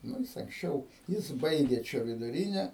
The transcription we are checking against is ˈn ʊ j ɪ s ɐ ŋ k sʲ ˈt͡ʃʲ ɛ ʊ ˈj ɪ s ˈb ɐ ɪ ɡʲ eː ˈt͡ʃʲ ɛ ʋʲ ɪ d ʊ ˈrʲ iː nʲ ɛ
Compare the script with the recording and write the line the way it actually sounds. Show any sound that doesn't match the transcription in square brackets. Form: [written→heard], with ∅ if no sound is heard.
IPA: ˈn ʊ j ɪ s ɐ ŋ k sʲ ˈt͡ʃʲ ɛ ʊ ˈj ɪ s ˈb ɐ ɪ ɡʲ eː ˈt͡ʃʲ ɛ ʋʲ ɪ d ʊ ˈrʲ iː nʲ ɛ

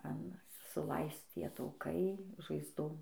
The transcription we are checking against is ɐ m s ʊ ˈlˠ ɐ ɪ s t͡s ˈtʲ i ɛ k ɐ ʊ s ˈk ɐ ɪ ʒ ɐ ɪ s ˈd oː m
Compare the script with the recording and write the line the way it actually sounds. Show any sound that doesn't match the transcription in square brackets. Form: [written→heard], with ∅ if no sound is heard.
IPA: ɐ [m→n] s ʊ ˈlˠ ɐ ɪ s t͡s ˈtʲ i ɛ [k→t] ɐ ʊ [s→∅] ˈk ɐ ɪ ʒ ɐ ɪ [s→z] ˈd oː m

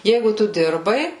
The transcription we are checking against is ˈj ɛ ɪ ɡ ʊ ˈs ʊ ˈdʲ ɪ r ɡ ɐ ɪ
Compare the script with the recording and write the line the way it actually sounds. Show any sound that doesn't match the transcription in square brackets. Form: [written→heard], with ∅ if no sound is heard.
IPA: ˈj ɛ ɪ ɡ ʊ [ˈs→ˈt] ʊ ˈdʲ ɪ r [ɡ→b] ɐ ɪ

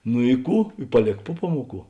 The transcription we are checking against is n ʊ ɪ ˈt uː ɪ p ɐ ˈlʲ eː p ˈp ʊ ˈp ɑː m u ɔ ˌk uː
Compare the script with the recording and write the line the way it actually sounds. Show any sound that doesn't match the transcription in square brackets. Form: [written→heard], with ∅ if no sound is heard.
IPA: n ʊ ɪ [ˈt→ˈk] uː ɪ p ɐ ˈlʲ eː [p→k] ˈp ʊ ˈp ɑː m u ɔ ˌk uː

